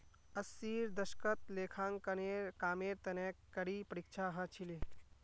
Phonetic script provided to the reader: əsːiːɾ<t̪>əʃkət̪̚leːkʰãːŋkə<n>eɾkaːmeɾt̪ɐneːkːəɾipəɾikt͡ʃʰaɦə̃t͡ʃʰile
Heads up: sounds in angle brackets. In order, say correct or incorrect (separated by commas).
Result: incorrect, correct